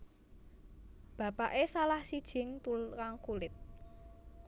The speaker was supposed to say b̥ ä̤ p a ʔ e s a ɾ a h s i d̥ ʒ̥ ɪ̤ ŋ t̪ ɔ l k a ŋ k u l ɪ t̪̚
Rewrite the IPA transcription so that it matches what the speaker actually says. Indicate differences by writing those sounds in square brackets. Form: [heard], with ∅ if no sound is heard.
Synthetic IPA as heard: b̥ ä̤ p a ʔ e s a [l] a h s i d̥ ʒ̥ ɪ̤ ŋ t̪ [u] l k a ŋ k u l ɪ t̪̚